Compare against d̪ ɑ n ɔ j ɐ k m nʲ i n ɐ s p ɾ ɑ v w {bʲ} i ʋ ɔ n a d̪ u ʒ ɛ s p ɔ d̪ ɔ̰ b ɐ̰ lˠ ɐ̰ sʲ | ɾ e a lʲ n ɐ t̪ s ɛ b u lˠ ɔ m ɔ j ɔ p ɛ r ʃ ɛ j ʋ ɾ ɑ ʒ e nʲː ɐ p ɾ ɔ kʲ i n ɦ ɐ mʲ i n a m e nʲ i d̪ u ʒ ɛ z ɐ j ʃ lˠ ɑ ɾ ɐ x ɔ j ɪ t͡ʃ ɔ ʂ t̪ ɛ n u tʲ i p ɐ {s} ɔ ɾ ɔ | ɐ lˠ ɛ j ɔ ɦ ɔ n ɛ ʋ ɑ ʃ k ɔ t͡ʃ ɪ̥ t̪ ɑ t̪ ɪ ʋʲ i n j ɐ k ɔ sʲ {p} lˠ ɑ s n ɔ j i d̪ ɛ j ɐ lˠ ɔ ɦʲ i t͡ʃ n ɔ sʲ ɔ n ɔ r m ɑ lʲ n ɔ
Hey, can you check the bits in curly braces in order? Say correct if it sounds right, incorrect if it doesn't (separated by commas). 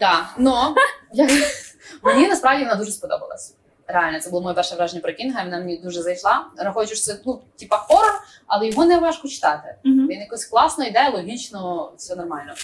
incorrect, incorrect, incorrect